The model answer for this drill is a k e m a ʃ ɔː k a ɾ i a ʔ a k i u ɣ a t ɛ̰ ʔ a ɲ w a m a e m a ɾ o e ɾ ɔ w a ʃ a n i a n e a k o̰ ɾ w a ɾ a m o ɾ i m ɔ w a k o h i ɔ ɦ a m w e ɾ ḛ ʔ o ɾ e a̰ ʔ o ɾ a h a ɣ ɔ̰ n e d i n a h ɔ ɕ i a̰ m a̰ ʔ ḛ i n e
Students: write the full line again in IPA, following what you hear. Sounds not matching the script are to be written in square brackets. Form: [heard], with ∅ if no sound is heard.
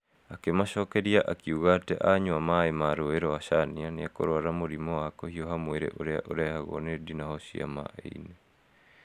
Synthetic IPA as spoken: a k e m a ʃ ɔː k [ɛ] ɾ i a ʔ a k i u ɣ a t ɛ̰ ʔ a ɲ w a m a e m a ɾ o e ɾ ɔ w a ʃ a n i a n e a k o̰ ɾ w a ɾ a m o ɾ i m ɔ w a k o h i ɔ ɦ a m w e ɾ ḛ ʔ o ɾ e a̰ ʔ o ɾ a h a ɣ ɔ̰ n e d i n a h ɔ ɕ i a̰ m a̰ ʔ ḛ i n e